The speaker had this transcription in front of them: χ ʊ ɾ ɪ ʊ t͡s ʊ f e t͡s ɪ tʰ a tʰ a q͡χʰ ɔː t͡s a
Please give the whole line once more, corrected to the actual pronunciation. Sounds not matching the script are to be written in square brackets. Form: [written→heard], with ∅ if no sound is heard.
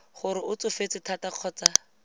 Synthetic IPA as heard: χ ʊ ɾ ɪ ʊ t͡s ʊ f e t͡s ɪ tʰ a [tʰ→t] a q͡χʰ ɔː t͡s a